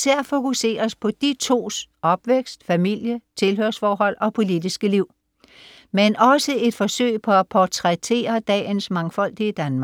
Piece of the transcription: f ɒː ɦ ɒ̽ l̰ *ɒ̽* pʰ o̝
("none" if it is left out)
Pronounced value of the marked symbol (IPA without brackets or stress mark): ɒ̽